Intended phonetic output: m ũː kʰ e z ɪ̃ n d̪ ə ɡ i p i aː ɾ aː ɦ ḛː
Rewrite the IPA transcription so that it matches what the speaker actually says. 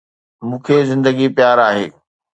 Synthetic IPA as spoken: m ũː kʰ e z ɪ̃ n d̪ ə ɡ i p j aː ɾ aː ɦ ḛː